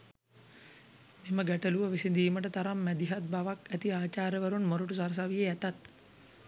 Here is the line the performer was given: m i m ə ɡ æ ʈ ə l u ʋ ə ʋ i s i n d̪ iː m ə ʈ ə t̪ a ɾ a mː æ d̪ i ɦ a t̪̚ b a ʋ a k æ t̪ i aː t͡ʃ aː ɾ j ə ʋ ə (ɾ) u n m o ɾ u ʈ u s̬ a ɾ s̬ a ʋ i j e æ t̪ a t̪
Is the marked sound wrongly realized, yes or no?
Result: no